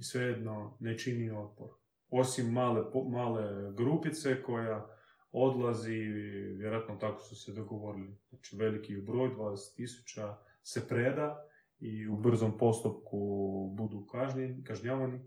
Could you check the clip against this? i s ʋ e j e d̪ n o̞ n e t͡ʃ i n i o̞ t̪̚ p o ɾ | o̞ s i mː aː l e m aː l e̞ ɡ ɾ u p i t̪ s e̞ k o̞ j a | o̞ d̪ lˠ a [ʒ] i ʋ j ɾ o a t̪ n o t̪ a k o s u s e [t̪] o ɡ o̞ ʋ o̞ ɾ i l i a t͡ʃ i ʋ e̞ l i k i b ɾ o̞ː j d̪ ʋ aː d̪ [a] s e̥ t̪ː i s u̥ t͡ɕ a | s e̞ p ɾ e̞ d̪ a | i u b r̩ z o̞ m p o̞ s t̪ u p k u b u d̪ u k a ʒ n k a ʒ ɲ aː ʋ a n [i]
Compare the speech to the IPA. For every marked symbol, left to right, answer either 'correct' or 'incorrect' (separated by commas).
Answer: incorrect, incorrect, incorrect, correct